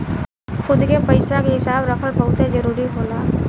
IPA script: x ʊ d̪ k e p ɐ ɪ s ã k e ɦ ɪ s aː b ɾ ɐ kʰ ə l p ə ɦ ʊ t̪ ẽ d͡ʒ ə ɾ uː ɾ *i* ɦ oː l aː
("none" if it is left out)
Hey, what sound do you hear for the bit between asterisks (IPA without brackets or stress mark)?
i